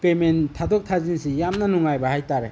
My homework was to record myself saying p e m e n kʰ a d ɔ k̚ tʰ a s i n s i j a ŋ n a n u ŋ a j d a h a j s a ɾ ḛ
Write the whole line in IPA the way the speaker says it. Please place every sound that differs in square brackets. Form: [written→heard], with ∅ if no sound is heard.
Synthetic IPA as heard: p e m e n [kʰ→tʰ] a d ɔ k̚ tʰ a [s→z] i n s i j a [ŋ→m] n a n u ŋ a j [d→b] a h a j [s→t] a ɾ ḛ